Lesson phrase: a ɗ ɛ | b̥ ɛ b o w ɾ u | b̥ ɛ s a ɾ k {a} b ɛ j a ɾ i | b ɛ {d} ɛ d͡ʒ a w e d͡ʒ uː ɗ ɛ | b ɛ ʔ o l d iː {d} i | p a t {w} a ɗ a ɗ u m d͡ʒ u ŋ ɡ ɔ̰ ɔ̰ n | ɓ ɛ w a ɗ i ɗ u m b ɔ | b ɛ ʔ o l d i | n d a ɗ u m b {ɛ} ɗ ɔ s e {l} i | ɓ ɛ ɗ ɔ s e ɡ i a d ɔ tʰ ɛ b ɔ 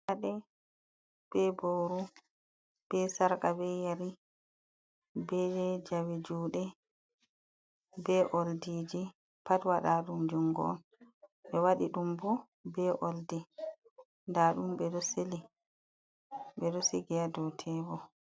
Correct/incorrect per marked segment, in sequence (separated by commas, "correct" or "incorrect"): correct, incorrect, incorrect, correct, correct, correct